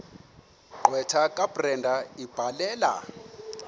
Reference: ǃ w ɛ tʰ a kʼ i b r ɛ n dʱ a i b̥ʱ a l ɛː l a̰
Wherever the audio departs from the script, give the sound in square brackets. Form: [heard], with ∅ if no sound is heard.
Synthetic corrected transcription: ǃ w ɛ tʰ a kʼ [a] b r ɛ n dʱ a i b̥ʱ a l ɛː l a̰